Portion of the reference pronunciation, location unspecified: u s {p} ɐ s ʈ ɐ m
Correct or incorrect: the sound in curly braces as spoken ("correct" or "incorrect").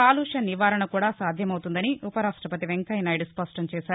correct